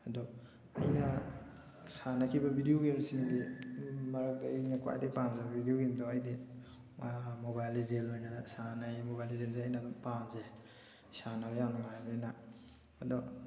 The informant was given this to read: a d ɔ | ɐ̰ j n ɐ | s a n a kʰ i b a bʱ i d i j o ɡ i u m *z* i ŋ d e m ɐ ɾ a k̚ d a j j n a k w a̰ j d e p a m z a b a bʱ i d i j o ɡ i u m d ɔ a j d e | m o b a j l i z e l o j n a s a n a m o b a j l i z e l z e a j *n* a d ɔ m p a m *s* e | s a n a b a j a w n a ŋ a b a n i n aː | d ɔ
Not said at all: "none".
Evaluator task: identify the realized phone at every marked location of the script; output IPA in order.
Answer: s, n, z

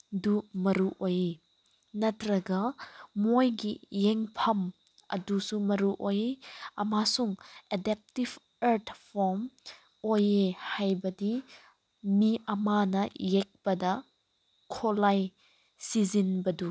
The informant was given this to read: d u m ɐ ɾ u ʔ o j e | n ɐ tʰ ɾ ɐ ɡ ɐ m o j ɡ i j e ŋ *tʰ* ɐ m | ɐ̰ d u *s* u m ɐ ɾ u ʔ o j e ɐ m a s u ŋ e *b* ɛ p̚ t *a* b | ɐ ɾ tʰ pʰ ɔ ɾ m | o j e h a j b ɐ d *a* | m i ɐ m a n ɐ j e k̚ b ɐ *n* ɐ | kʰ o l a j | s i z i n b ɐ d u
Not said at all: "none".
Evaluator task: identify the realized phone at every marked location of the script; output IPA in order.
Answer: pʰ, s, d, i, i, d

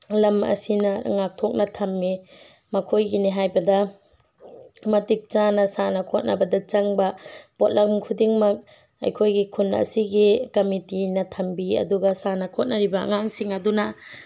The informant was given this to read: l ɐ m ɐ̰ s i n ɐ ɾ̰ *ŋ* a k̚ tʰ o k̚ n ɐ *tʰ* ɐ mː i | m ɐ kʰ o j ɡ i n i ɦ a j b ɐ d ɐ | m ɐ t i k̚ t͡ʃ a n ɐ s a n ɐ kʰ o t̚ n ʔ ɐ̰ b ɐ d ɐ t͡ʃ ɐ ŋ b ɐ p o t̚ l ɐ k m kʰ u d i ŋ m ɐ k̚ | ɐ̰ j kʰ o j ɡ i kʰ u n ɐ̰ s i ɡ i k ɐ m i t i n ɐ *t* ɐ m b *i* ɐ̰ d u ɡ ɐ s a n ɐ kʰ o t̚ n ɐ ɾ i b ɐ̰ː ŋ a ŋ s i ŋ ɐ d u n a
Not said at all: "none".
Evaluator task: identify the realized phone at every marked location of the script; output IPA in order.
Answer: ŋ, tʰ, tʰ, i

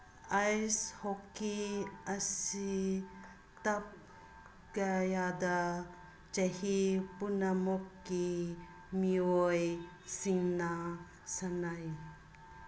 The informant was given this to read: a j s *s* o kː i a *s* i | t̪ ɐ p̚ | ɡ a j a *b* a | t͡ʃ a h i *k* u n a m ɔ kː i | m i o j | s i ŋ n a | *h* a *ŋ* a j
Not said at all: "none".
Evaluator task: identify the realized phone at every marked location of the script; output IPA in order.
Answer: h, s, d, p, s, n

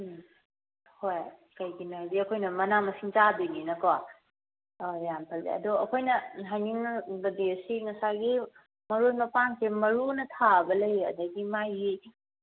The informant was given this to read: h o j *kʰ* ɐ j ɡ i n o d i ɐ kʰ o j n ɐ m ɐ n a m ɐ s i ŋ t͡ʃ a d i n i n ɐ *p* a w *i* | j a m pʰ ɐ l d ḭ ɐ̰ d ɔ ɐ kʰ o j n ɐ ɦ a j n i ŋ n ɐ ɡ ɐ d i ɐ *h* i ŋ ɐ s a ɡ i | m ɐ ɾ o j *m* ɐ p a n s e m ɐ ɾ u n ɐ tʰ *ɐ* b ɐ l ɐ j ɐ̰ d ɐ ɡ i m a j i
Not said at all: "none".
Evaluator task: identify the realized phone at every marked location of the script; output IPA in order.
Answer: k, k, a, s, m, a

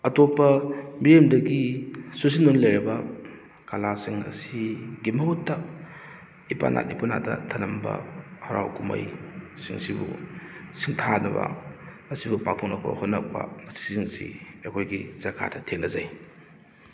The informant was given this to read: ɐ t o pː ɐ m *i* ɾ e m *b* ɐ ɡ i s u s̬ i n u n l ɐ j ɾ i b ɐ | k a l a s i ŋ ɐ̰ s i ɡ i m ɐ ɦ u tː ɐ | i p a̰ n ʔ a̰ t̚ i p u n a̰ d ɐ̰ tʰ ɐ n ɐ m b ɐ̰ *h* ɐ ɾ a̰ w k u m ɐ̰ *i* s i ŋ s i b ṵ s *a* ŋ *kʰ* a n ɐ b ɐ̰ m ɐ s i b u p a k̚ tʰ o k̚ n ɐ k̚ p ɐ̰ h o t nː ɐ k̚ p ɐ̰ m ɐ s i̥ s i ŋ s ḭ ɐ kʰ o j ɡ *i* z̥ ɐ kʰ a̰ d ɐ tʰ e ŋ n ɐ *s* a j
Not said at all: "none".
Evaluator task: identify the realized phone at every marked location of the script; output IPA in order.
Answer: i, d, h, j, i, tʰ, i, z

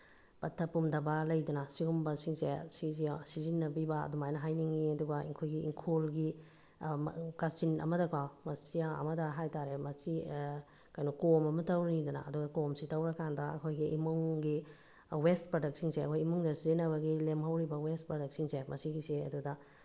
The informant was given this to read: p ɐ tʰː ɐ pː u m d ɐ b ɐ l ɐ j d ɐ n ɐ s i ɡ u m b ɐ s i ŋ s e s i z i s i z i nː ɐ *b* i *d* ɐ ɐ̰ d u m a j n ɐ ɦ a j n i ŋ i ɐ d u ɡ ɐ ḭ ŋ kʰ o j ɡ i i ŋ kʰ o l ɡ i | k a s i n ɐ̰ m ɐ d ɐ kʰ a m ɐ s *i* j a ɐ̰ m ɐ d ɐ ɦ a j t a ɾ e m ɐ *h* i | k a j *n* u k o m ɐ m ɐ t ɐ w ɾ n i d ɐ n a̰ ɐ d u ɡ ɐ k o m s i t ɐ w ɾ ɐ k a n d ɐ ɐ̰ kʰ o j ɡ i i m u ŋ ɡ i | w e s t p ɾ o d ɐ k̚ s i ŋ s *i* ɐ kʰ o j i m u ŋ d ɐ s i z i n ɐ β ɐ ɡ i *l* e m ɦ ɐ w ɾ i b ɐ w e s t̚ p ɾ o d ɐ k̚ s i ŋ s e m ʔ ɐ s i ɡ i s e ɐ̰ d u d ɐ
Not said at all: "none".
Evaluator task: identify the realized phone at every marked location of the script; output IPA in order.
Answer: b, b, i, s, n, e, l

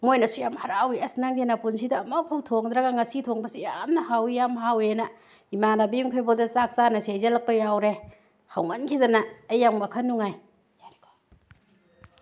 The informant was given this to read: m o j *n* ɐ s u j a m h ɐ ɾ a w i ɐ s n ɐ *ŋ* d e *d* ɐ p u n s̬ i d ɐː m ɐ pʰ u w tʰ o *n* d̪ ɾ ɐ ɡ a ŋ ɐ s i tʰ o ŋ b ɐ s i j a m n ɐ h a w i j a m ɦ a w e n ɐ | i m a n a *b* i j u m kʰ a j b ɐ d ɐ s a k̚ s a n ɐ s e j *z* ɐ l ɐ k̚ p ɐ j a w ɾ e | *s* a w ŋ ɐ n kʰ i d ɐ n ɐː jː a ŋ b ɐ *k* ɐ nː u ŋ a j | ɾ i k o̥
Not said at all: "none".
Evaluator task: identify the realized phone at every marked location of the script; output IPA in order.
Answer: n, ŋ, n, ŋ, b, z, h, kʰ

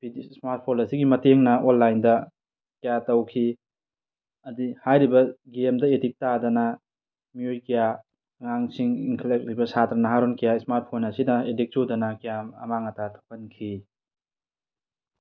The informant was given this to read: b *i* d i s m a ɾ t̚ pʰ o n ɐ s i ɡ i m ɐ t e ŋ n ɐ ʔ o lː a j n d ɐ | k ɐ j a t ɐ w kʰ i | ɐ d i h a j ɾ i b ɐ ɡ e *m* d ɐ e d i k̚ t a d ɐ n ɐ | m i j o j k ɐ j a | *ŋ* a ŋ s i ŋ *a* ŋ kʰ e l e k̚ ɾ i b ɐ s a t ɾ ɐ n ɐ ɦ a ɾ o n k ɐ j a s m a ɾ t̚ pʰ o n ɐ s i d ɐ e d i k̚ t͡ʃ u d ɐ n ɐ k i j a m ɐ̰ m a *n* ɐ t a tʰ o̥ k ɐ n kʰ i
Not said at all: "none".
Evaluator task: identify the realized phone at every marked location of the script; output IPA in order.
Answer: i, m, ŋ, i, ŋ

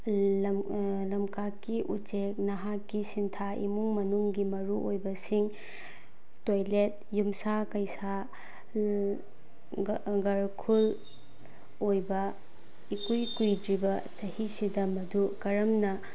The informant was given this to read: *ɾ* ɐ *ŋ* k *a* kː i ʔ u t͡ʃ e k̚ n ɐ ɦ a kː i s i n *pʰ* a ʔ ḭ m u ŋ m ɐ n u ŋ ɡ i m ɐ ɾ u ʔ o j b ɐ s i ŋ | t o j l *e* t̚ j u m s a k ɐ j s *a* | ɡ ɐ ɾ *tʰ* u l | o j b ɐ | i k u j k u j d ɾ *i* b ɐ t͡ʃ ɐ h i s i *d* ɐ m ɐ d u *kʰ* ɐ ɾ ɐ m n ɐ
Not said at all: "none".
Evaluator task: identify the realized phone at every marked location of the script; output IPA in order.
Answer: l, m, a, tʰ, e, a, kʰ, i, d, k

